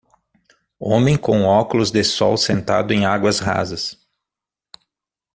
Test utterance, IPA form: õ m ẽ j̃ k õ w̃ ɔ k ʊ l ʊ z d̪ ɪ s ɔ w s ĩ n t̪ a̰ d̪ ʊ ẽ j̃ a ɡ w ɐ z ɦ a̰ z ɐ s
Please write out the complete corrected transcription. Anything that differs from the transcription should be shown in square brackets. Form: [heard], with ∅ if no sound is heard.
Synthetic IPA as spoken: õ m ẽ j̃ k õ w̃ ɔ k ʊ l ʊ z d̪ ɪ s ɔ w s [ẽ] n t̪ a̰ d̪ ʊ ẽ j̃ a ɡ w ɐ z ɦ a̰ z ɐ s